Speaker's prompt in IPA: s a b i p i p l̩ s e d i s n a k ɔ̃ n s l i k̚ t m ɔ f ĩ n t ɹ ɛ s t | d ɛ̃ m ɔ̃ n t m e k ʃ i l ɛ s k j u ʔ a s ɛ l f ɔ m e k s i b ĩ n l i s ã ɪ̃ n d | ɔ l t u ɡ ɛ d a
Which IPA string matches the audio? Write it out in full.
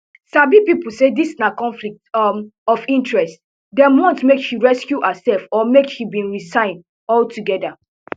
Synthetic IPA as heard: s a b i p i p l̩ s e d i s n a k ɔ̃ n f l i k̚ t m ɔ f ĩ n t ɹ ɛ s t | d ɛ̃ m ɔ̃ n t m e k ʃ i ɹ ɛ s k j u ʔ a s ɛ l f ɔ m e k ʃ i b ĩ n ɹ i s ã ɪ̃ n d | ɔ l t u ɡ ɛ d a